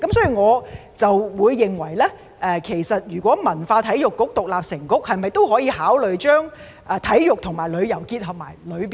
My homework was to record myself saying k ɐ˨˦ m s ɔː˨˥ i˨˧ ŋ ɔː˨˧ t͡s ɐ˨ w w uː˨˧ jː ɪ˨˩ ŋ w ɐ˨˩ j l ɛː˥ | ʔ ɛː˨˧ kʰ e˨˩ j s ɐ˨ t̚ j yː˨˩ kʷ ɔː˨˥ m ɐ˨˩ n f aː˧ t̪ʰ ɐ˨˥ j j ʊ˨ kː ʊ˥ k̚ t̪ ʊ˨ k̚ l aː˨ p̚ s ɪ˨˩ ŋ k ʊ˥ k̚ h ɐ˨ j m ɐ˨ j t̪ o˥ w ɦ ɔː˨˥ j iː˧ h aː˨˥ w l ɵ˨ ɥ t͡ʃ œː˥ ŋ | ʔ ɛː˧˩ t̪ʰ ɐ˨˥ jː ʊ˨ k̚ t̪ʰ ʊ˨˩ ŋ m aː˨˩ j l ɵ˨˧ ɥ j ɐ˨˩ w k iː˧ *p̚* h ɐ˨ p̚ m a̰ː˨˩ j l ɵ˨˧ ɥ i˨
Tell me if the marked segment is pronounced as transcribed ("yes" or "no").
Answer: no